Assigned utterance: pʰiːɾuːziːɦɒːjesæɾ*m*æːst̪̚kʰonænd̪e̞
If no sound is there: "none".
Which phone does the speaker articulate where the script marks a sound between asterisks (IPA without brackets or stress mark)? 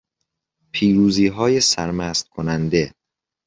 m